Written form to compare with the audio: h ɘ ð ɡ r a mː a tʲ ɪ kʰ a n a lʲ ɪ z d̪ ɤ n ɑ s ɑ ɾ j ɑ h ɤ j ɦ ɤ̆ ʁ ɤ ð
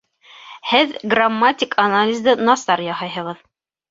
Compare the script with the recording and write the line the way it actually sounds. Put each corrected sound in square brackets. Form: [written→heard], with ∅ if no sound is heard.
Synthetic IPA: h ɘ ð ɡ r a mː a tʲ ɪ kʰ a n a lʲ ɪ z d̪ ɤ n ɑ s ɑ ɾ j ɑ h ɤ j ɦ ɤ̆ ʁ ɤ ð

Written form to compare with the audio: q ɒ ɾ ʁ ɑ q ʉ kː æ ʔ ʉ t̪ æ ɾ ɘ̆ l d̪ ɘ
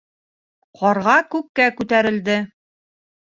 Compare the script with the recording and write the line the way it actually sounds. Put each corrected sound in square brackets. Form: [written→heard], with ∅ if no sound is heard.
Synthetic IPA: q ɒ ɾ ʁ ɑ [q→k] ʉ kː æ [ʔ→k] ʉ t̪ æ ɾ ɘ̆ l d̪ ɘ

